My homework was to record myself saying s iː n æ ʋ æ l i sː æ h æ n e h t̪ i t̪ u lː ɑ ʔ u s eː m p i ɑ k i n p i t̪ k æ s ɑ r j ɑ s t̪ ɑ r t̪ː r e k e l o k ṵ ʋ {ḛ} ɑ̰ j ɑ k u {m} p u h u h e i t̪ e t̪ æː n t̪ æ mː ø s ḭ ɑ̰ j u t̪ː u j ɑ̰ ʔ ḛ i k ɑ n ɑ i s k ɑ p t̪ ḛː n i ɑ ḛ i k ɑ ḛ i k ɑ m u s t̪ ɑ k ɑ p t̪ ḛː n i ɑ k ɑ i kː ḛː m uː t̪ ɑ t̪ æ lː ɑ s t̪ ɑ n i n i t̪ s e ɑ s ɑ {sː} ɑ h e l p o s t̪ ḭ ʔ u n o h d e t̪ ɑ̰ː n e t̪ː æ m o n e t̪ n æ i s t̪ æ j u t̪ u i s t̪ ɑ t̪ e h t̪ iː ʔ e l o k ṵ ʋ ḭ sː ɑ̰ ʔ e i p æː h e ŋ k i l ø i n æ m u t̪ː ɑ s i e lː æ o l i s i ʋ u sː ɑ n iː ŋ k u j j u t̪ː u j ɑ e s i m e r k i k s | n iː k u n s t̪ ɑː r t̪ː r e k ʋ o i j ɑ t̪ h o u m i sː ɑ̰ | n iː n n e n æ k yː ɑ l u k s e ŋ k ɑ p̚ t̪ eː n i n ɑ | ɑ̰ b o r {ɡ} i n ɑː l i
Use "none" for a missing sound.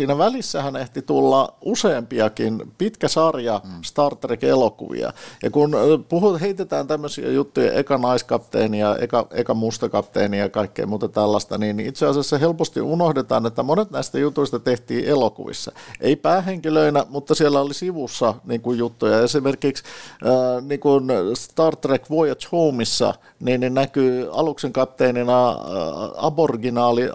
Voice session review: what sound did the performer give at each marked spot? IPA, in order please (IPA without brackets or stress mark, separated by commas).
ḭ, n, sː, ɡ